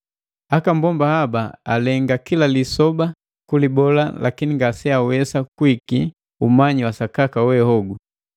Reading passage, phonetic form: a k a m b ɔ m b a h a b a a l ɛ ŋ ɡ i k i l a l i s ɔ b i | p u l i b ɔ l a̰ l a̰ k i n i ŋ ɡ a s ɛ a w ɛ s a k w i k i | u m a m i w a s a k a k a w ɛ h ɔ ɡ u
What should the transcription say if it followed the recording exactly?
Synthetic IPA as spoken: a k a m b ɔ m b a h a b a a l ɛ ŋ ɡ a k i l a l i s ɔ b a | k u l i b ɔ l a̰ l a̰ k i n i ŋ ɡ a s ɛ a w ɛ s a k w i k i | u m a ɲ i w a s a k a k a w ɛ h ɔ ɡ u